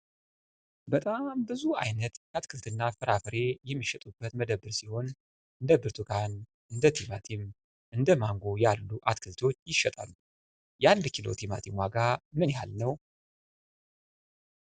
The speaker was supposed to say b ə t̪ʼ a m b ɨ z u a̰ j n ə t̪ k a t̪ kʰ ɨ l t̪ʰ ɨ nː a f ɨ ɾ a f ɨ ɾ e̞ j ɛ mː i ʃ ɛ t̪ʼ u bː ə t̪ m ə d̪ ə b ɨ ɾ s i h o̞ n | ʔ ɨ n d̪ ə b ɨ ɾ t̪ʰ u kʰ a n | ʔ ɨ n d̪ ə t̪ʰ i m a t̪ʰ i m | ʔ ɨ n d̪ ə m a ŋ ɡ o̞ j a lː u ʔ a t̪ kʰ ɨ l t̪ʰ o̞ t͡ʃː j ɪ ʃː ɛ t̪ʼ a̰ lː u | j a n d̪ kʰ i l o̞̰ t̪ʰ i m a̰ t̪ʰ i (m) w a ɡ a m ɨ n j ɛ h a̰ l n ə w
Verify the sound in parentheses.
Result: correct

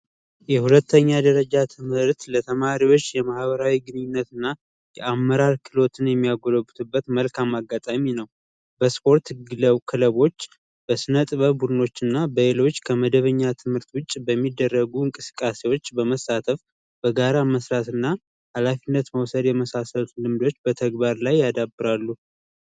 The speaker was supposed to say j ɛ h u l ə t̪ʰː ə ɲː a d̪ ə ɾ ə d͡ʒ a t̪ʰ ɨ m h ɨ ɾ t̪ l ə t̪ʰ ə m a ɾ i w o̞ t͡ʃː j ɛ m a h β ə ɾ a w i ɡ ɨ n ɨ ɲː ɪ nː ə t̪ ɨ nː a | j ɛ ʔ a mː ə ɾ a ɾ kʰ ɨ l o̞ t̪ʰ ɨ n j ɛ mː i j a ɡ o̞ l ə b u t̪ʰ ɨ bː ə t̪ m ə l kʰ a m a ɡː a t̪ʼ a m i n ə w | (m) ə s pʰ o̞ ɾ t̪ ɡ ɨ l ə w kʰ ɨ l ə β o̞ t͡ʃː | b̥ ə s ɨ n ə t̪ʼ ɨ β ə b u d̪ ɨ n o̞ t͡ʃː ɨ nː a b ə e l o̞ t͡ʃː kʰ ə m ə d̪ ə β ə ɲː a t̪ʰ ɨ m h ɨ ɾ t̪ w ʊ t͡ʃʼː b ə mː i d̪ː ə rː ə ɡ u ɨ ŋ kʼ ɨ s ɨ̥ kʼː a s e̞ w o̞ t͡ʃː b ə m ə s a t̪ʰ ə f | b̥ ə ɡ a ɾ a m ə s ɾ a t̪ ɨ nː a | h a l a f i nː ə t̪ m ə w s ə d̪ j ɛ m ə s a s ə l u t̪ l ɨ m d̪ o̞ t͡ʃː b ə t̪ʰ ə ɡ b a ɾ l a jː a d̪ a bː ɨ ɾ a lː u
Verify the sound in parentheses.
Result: incorrect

